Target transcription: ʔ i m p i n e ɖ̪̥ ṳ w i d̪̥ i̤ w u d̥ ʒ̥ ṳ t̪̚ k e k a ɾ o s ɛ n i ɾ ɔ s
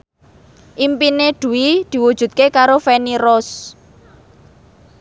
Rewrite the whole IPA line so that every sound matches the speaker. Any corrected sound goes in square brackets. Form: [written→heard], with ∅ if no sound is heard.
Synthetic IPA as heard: ʔ i m p i n e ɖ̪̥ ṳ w i d̪̥ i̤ w u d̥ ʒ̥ ṳ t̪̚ k e k a ɾ o [s→f] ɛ n i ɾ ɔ s